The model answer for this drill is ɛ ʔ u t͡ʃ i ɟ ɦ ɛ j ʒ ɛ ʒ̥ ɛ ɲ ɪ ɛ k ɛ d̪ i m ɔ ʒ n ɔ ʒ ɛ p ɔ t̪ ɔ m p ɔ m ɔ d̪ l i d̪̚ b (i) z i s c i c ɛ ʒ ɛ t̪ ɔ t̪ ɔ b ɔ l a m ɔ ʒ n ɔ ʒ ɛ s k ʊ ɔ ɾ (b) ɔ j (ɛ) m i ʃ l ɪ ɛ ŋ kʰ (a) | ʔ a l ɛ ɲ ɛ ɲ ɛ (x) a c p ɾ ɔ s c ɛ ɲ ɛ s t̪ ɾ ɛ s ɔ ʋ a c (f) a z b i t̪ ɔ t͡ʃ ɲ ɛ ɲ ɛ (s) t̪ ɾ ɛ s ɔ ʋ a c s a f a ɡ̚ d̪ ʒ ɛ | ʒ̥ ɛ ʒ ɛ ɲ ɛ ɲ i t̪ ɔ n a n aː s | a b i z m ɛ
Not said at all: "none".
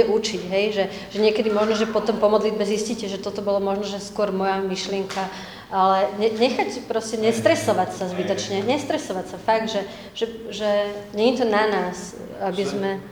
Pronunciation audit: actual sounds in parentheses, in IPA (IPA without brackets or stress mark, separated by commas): ɛ, m, a, a, x, s, s